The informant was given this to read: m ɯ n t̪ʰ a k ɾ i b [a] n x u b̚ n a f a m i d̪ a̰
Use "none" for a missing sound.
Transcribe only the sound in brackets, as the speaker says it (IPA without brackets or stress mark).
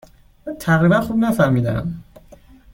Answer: a